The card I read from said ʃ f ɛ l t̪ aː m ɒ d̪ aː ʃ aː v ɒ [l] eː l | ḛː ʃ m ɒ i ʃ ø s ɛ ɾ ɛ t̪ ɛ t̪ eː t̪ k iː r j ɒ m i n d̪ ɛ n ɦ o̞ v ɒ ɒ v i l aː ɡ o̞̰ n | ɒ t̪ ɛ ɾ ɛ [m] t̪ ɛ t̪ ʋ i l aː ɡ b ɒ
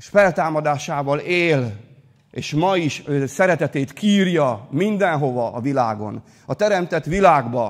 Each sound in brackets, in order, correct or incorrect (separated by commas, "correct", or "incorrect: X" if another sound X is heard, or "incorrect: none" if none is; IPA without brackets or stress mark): correct, correct